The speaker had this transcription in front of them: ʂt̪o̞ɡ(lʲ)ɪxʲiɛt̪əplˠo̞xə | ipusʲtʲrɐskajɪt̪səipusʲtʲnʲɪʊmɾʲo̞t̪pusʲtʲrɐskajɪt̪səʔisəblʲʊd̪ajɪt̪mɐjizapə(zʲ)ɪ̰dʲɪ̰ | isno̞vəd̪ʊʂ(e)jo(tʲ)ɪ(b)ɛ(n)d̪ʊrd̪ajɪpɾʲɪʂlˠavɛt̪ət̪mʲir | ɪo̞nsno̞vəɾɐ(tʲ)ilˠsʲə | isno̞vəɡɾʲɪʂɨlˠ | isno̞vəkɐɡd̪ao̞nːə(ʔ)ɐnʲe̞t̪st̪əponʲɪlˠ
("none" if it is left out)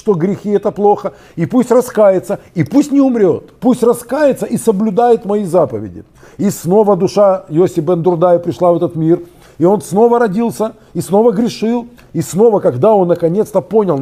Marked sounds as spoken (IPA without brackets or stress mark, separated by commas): ɾʲ, vʲ, a, sʲ, b, n, dʲ, k